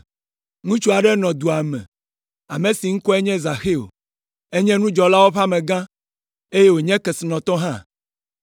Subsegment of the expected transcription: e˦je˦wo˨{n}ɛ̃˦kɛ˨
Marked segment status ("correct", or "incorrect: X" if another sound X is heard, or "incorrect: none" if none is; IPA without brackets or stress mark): incorrect: ɲ